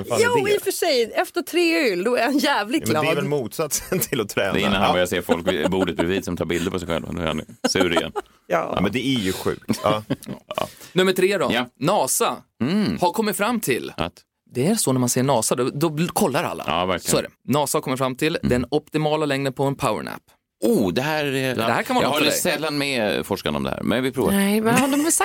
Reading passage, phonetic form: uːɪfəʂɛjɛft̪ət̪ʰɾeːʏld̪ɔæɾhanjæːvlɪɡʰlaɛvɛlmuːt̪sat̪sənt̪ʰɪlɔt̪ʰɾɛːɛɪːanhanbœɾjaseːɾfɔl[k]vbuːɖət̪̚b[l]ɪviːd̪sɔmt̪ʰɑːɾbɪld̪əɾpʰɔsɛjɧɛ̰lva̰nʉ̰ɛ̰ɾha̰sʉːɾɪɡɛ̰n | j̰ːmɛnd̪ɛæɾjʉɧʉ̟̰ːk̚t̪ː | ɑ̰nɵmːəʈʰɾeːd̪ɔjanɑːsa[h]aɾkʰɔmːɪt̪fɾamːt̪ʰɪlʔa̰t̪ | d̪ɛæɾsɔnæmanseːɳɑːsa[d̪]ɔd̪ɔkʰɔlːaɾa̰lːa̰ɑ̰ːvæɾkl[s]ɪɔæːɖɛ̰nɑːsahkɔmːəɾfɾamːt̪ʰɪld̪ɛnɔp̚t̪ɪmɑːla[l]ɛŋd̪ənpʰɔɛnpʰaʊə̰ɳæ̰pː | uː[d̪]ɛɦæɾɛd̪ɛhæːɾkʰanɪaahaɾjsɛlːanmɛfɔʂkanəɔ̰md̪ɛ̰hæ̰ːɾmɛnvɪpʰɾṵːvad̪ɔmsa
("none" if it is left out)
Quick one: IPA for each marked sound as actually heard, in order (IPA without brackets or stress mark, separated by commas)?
k, ɾ, h, d̪, s, l, d̪